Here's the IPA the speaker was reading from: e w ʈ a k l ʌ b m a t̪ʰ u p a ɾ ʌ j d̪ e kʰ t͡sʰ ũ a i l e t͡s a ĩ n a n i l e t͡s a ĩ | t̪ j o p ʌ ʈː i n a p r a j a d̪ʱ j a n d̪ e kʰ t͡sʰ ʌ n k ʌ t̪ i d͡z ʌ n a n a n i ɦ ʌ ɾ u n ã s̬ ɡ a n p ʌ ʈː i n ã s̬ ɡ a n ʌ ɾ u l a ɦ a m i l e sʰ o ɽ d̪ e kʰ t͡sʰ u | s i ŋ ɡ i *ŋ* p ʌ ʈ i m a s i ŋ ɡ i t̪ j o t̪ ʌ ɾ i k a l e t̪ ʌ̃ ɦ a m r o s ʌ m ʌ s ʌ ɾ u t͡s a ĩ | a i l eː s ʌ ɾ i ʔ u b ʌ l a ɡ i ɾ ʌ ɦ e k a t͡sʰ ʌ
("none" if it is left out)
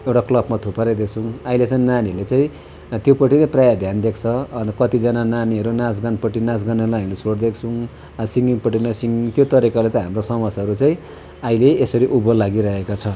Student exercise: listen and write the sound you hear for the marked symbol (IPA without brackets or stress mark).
ŋ